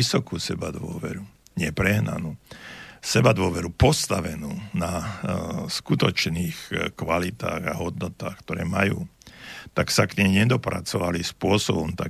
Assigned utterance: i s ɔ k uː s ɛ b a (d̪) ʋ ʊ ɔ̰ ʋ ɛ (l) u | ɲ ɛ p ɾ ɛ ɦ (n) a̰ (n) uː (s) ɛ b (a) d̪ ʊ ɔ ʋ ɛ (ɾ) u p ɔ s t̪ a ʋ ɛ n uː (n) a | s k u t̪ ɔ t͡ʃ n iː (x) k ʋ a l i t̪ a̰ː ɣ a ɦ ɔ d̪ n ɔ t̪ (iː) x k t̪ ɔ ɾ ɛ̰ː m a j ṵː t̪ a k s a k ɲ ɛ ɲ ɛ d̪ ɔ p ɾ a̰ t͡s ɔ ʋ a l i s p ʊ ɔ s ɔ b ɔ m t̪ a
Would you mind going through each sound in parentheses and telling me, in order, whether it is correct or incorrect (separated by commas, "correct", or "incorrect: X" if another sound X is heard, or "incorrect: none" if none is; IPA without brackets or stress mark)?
correct, incorrect: ɾ, correct, correct, correct, correct, correct, correct, correct, incorrect: aː